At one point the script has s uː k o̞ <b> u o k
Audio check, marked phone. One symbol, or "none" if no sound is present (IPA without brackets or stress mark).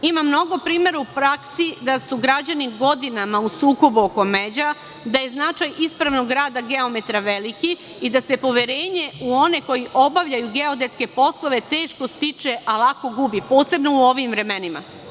b